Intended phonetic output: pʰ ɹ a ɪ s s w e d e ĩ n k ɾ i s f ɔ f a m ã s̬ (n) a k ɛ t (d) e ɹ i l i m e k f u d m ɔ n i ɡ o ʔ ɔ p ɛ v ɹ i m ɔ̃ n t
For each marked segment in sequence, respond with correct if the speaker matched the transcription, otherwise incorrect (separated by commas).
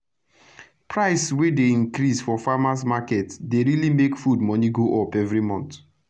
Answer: incorrect, correct